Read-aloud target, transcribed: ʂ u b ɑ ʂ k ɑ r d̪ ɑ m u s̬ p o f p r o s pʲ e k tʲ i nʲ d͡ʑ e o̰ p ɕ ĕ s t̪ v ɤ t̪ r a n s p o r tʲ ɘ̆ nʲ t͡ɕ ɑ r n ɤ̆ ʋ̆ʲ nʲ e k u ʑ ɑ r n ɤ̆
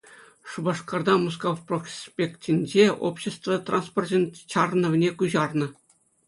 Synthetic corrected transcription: ʂ u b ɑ ʂ k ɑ r d̪ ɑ m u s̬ k o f p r o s pʲ e k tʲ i nʲ d͡ʑ e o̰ p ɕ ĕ s t̪ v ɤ t̪ r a n s p o r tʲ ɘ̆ nʲ t͡ɕ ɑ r n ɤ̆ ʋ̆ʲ nʲ e k u ʑ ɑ r n ɤ̆